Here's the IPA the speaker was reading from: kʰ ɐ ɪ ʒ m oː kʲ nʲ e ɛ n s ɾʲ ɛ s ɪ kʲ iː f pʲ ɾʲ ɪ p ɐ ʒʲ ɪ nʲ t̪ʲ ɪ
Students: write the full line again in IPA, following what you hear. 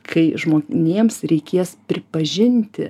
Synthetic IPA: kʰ ɐ ɪ ʒ m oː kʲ nʲ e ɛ m s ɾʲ ɛ ɪ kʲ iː s pʲ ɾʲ ɪ p ɐ ʒʲ ɪ nʲ t̪ʲ ɪ